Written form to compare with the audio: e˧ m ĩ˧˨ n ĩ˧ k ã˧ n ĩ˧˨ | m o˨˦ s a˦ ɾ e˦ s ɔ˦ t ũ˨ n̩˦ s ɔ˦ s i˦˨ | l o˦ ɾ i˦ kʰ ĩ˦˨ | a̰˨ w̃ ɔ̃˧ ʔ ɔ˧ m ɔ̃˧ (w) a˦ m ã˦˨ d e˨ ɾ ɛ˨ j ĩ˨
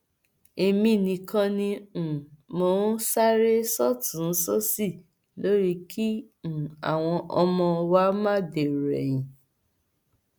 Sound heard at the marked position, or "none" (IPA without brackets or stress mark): w